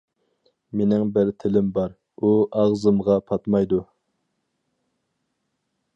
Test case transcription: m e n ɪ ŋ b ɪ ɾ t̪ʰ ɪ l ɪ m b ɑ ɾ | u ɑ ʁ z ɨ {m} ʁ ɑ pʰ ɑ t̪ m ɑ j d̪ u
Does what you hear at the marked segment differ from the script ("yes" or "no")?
no